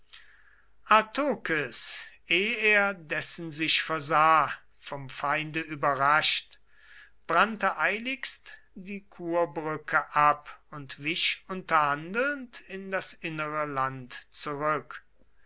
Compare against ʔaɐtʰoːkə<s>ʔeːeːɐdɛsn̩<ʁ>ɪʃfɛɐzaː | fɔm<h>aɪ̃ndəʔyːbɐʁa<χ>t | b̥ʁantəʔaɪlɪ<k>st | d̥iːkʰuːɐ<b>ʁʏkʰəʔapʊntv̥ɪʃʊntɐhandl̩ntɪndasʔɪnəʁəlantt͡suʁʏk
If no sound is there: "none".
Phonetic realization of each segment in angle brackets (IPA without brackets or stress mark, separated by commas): s, z, f, ʃ, k, b